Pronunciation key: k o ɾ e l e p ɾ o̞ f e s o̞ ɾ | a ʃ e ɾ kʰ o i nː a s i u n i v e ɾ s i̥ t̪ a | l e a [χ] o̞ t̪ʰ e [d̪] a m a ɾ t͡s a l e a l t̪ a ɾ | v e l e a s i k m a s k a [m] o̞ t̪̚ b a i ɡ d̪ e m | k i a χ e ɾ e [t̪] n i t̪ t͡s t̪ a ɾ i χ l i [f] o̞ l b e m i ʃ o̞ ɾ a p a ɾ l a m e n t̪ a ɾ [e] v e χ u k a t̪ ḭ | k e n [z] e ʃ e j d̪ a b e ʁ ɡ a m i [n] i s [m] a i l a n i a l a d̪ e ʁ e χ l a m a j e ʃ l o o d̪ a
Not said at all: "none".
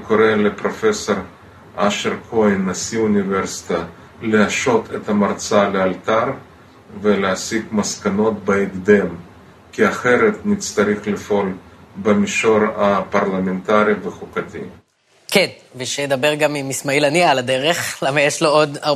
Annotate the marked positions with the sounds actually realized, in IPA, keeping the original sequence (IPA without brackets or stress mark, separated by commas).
ʃ, t̪, n, t̪, f, i, v, m, m